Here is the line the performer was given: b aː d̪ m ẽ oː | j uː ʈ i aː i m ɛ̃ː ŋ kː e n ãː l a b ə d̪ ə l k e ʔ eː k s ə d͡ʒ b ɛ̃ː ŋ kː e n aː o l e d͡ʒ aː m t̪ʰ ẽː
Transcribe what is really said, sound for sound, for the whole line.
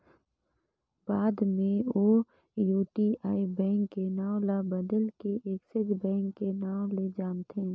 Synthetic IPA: b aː d̪ m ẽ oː | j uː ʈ i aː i b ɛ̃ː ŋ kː e n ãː l a b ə d̪ ə l k e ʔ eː k s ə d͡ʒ b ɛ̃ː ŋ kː e n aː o l e d͡ʒ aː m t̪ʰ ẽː